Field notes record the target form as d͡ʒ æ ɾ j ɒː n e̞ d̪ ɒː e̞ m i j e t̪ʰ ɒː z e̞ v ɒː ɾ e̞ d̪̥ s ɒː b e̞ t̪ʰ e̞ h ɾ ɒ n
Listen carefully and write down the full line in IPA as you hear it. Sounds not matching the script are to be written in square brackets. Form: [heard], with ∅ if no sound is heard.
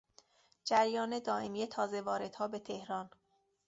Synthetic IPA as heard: d͡ʒ æ ɾ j ɒː n e̞ d̪ ɒː e̞ m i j e t̪ʰ ɒː z e̞ v ɒː ɾ e̞ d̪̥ [h] ɒː b e̞ t̪ʰ e̞ h ɾ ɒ n